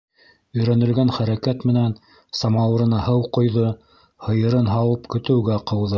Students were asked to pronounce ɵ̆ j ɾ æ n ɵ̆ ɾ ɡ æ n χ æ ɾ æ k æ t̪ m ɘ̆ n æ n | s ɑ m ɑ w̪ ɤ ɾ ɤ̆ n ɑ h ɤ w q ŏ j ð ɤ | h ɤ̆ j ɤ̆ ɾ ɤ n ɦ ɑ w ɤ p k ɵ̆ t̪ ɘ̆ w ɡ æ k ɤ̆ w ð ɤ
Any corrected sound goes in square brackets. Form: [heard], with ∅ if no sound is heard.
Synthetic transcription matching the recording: ɵ̆ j ɾ æ n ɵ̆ [l] ɡ æ n χ æ ɾ æ k æ t̪ m ɘ̆ n æ n | s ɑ m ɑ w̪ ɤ ɾ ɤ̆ n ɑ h ɤ w q ŏ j ð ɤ | h ɤ̆ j ɤ̆ ɾ ɤ n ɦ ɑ w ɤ p k ɵ̆ t̪ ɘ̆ w ɡ æ [q] ɤ̆ w ð ɤ